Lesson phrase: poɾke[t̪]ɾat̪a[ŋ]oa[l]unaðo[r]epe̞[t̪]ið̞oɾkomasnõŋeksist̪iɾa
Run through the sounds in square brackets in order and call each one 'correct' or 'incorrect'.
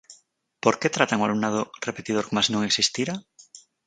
correct, correct, correct, correct, correct

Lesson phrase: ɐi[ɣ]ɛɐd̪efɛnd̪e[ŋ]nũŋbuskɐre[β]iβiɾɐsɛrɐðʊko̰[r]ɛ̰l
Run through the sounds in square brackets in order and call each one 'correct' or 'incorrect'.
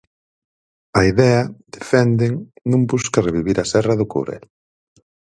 incorrect: ð, correct, correct, incorrect: ɾ

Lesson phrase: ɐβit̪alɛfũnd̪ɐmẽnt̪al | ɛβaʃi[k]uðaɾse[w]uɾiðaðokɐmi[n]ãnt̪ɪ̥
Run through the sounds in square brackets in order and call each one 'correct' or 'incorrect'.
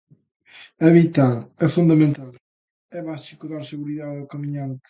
correct, incorrect: ɣ, incorrect: ɲ

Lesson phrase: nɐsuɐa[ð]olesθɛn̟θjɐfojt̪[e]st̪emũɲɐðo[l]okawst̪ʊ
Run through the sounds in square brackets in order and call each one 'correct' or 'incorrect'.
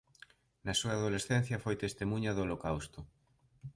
correct, correct, correct

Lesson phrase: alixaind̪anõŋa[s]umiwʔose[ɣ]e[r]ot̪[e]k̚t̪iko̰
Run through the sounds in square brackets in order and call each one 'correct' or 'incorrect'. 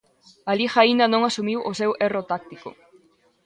correct, incorrect: w, correct, incorrect: a

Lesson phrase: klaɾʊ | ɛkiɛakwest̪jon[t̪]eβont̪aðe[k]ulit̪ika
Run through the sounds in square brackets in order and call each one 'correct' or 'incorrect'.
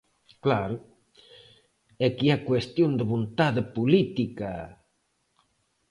incorrect: d̪, incorrect: p

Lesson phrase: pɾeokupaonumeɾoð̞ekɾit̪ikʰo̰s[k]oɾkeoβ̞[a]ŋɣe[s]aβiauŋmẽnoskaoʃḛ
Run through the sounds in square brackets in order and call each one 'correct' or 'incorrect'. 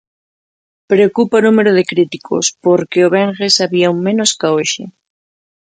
incorrect: p, incorrect: e, correct

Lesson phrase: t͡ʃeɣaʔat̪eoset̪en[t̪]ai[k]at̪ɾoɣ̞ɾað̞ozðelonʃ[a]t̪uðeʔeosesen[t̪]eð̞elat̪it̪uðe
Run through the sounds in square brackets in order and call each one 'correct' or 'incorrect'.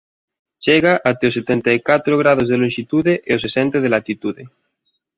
correct, correct, incorrect: i, correct

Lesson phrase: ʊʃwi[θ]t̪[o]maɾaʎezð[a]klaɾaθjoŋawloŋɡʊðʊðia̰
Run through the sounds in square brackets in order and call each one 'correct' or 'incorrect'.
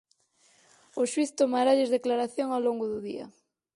correct, correct, incorrect: e

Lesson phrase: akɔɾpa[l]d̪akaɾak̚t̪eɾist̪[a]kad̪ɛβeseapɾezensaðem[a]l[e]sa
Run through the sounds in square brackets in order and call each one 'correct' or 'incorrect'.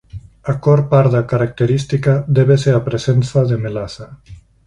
incorrect: ɾ, incorrect: i, incorrect: e, incorrect: a

